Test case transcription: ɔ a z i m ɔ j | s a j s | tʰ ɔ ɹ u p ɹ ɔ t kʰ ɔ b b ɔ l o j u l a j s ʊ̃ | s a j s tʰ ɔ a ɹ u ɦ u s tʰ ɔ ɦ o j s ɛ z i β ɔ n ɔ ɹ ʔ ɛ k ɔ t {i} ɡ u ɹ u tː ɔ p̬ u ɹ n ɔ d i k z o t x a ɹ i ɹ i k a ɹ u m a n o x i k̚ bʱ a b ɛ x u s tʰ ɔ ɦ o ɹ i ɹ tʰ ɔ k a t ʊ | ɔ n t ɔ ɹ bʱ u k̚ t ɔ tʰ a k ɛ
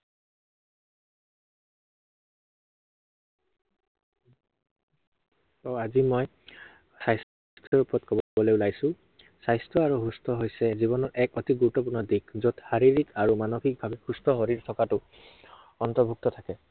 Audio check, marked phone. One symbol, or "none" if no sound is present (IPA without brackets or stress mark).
i